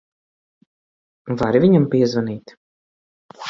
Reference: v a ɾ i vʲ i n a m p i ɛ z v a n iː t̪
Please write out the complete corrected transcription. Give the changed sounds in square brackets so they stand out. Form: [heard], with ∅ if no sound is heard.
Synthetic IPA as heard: v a ɾ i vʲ i [ɲ] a m p i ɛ z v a n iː t̪